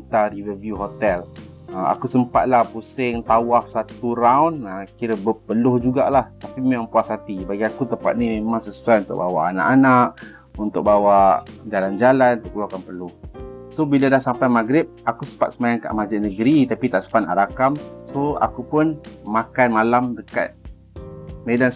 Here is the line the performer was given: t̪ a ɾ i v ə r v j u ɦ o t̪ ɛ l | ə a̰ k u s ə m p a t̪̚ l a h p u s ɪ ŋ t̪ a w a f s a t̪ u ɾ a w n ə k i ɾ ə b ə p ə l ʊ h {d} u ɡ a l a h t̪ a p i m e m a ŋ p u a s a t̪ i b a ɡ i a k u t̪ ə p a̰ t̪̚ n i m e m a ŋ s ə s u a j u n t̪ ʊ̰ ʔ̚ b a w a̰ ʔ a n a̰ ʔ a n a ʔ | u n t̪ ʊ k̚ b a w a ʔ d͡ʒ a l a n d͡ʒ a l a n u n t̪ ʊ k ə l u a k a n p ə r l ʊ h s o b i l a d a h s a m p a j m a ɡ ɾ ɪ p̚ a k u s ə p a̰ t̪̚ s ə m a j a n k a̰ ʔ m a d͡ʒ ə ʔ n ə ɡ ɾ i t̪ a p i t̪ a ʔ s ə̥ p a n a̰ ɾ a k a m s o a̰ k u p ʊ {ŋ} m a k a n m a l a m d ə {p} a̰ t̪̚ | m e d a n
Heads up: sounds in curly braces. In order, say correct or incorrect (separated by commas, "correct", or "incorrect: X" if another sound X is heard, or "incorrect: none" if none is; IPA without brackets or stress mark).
incorrect: d͡ʒ, incorrect: n, incorrect: k